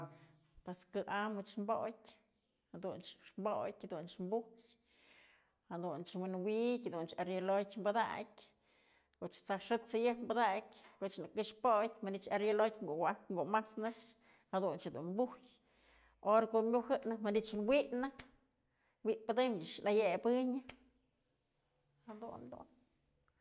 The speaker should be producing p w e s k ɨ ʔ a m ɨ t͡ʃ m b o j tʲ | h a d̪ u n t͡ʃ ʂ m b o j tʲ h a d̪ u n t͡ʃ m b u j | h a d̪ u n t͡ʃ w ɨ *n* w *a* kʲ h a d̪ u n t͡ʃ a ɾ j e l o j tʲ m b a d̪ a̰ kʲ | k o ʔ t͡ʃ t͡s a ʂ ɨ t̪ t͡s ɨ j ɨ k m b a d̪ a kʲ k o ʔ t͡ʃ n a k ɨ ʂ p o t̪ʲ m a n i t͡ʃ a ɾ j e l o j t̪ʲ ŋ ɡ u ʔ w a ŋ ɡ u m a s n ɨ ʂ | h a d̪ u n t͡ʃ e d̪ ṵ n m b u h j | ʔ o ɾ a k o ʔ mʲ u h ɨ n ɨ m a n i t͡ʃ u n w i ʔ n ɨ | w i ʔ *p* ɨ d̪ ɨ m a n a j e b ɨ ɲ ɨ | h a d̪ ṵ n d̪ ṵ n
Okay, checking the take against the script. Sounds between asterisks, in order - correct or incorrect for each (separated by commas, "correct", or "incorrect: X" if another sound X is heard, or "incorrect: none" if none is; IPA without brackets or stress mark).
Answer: correct, incorrect: i, correct